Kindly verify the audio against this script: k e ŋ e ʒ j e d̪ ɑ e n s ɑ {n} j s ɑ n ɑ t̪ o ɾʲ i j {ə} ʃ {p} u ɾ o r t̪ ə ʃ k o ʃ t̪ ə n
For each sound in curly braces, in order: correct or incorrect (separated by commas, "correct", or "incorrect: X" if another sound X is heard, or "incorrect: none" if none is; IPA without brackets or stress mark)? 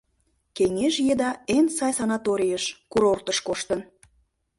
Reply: incorrect: none, correct, incorrect: k